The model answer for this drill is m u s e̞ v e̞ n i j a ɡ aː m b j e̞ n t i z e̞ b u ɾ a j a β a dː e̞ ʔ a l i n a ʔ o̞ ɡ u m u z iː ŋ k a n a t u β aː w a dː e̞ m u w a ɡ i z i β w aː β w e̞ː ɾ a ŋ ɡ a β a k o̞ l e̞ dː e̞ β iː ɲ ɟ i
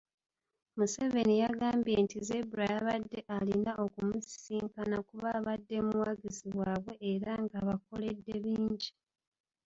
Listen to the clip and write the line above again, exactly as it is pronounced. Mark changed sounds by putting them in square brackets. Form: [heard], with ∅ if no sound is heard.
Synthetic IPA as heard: m u s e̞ v e̞ n i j a ɡ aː m b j e̞ n t i z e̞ b u ɾ a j a β a dː e̞ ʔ a l i n a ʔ o̞ [k] u m u [s] iː ŋ k a n a [k] u β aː [β] a dː e̞ m u w a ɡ i z i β w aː β w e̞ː ɾ a ŋ ɡ a β a k o̞ l e̞ dː e̞ β iː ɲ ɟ i